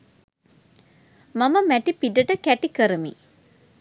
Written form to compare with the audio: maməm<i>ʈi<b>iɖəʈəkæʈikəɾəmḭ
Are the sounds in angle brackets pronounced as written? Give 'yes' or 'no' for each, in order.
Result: no, no

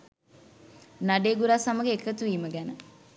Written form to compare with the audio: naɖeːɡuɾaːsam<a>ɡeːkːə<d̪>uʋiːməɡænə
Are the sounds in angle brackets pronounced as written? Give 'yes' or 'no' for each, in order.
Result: no, no

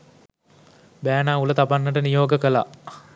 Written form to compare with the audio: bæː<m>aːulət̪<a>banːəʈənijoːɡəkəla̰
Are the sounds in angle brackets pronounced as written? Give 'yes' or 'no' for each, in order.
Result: no, yes

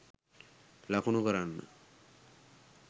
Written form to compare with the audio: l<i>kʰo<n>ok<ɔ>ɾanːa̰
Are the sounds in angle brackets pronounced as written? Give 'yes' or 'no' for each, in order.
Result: no, yes, yes

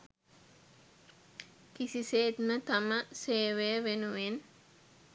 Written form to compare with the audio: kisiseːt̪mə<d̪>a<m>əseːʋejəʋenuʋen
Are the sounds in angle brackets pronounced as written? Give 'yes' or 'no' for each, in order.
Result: no, yes

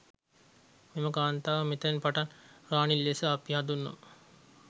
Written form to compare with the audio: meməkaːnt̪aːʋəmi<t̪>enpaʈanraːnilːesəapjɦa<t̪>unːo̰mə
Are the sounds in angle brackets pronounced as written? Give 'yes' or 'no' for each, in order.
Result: yes, no

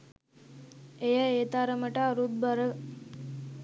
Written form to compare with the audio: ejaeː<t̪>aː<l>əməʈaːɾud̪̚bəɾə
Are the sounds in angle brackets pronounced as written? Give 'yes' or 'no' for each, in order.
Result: yes, no

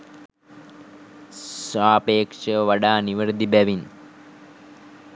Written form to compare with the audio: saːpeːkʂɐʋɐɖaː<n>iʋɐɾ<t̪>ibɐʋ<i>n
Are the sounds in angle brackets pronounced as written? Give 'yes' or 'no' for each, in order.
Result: yes, no, yes

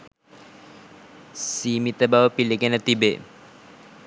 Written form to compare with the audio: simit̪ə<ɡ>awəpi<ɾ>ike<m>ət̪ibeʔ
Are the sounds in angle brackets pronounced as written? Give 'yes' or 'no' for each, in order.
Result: no, no, no

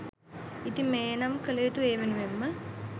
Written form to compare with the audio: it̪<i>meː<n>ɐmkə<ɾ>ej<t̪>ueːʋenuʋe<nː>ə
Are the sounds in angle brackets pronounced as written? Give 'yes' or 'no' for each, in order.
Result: yes, yes, no, yes, no

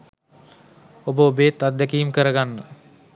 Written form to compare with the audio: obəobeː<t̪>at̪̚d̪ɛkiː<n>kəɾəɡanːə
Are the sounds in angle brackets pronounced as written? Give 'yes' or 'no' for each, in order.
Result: yes, no

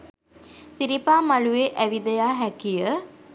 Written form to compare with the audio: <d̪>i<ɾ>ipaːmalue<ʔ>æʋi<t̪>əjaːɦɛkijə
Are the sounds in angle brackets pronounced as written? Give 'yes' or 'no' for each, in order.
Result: no, yes, yes, no

